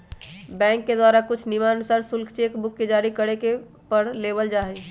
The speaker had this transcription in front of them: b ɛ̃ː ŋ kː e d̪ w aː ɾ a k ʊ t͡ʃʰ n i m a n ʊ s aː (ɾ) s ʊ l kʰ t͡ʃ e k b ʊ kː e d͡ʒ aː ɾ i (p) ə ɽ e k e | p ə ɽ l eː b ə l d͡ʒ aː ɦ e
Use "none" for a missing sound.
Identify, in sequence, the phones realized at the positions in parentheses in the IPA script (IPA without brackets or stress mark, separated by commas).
ɾ, k